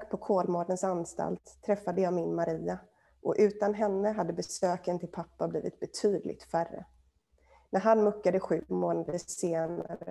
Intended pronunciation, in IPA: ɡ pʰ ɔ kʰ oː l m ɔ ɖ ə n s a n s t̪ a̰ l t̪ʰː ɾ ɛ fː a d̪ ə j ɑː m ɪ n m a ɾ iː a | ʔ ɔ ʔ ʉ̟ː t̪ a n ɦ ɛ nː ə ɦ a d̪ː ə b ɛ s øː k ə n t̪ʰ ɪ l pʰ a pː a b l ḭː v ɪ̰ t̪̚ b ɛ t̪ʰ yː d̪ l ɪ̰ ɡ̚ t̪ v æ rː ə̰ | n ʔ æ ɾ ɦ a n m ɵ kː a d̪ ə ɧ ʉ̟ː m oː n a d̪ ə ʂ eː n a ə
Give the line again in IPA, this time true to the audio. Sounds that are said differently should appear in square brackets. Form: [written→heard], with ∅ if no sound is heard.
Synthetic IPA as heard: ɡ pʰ ɔ kʰ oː l m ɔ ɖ ə n s a n s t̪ a̰ l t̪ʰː ɾ ɛ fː a d̪ ə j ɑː m ɪ n m a ɾ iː a | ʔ ɔ ʔ ʉ̟ː t̪ a n ɦ ɛ nː ə ɦ a d̪ː ə b ɛ s øː k ə n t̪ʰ ɪ l pʰ a pː a b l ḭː v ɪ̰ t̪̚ b ɛ t̪ʰ yː d̪ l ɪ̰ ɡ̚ t̪ [v→f] æ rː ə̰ | n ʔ æ ɾ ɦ a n m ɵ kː a d̪ ə ɧ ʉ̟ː m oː n a d̪ ə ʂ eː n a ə